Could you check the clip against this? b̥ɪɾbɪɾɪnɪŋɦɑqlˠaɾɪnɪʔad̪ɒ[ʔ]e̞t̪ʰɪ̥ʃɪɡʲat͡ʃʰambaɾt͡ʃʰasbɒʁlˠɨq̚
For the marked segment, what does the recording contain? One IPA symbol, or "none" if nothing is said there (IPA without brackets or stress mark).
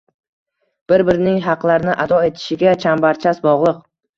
none